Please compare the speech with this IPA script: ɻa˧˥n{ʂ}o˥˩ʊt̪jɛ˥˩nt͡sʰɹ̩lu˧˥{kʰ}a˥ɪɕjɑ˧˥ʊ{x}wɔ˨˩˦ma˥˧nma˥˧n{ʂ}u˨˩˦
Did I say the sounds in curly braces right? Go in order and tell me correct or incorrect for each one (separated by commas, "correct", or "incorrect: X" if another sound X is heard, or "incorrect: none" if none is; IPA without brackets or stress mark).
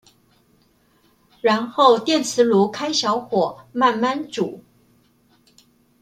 incorrect: x, correct, correct, incorrect: ʈ͡ʂ